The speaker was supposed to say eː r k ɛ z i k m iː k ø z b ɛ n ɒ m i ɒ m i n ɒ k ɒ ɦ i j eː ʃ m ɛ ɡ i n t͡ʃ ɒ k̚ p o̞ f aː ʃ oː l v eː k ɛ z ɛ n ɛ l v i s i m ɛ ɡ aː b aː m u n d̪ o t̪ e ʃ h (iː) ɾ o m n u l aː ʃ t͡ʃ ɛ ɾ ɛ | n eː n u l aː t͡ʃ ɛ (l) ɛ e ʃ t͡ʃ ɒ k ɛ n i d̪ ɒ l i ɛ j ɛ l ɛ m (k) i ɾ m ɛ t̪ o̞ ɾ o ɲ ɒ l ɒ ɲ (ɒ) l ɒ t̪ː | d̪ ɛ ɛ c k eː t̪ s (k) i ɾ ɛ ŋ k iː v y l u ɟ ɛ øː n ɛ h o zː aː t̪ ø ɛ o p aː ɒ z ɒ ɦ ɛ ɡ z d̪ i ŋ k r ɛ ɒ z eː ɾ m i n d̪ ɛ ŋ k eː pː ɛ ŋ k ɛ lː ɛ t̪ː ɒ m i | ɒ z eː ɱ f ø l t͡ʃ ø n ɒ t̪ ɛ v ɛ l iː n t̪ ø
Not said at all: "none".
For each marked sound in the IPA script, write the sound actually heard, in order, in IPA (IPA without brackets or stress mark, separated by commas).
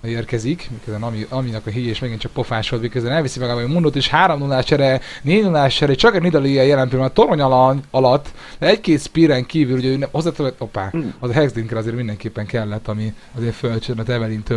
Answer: aː, ɾ, p, ɒ, p